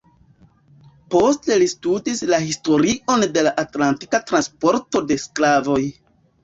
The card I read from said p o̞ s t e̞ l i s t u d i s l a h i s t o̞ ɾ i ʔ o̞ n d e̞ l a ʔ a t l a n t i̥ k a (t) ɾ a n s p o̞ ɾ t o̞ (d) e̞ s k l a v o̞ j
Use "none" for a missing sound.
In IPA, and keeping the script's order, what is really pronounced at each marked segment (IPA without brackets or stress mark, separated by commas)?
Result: t, d